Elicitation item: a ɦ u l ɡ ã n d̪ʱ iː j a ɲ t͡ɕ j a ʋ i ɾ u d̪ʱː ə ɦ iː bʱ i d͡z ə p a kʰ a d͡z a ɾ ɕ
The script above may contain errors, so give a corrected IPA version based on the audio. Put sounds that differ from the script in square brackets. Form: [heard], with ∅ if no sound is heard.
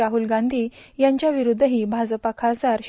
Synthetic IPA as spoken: a ɦ u l ɡ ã n d̪ʱ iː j a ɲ t͡ɕ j a ʋ i ɾ u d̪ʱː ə ɦ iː bʱ [a] d͡z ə p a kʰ a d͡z a ɾ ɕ